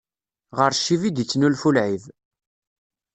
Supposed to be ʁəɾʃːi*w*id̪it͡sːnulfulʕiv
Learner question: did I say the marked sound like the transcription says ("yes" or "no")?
no